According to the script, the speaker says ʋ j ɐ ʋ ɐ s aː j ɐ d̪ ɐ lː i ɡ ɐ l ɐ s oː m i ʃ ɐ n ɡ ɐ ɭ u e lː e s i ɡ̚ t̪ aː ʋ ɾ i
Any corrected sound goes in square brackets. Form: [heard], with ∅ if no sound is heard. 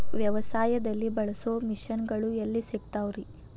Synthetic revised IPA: ʋ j ɐ ʋ ɐ s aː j ɐ d̪ ɐ lː i [b] ɐ [ɭ] ɐ s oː m i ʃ ɐ n ɡ ɐ ɭ u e lː [i] s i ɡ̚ t̪ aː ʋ ɾ i